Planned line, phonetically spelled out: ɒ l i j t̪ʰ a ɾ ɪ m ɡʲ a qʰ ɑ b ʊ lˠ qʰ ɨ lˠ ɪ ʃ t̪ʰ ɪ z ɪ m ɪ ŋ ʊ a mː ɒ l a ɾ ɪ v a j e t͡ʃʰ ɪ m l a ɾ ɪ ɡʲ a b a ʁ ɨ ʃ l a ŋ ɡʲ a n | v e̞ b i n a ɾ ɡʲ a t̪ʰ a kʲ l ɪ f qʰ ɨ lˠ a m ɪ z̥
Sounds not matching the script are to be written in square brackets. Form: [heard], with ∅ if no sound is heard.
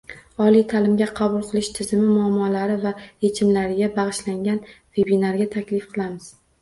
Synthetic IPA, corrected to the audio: ɒ l i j t̪ʰ a [l] ɪ m ɡʲ a qʰ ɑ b ʊ lˠ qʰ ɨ lˠ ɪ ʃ t̪ʰ ɪ z ɪ m ɪ [m] ʊ a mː ɒ l a ɾ ɪ v a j e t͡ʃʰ ɪ m l a ɾ ɪ ɡʲ a b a ʁ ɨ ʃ l a ŋ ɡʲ a n | v e̞ b i n a ɾ ɡʲ a t̪ʰ a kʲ l ɪ f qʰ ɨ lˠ a m ɪ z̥